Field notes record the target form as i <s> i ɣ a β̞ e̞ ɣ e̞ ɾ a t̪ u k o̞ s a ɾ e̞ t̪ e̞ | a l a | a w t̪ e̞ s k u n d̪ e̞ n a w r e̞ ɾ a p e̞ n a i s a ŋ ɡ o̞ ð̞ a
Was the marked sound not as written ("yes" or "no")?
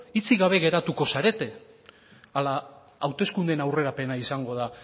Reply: yes